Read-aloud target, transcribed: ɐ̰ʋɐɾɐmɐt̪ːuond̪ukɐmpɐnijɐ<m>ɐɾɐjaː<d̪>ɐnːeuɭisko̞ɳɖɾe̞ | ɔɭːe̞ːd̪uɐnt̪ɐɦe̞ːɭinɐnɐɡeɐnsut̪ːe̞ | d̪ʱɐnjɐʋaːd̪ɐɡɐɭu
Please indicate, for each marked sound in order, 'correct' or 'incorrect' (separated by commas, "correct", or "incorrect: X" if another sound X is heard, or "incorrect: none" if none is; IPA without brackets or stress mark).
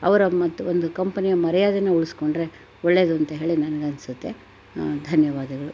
correct, correct